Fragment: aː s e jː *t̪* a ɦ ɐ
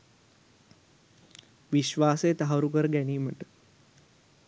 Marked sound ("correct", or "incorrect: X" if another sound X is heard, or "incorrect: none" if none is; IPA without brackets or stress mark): correct